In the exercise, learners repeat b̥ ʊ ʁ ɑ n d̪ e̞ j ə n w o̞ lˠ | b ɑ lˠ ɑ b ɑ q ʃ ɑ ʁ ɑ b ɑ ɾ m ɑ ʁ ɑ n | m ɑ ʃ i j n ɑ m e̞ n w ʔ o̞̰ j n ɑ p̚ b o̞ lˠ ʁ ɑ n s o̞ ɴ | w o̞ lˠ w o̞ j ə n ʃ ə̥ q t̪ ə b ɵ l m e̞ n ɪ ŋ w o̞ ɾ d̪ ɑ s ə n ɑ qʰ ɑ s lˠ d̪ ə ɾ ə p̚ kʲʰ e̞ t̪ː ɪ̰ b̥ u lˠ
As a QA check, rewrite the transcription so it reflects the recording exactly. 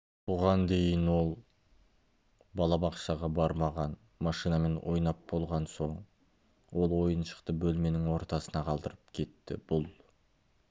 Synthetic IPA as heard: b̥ ʊ ʁ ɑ n d̪ e̞ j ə n w o̞ lˠ | b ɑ lˠ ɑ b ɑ q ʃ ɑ ʁ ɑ b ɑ ɾ m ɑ ʁ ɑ n | m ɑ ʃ i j n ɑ m e̞ n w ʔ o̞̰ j n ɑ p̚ b o̞ lˠ ʁ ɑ n s o̞ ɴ | w o̞ lˠ w o̞ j ə n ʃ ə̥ q t̪ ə b ɵ l m e̞ n ɪ ŋ w o̞ ɾ t̪ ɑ s ə n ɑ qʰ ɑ lˠ d̪ ə ɾ ə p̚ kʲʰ e̞ t̪ː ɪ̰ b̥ ʊ lˠ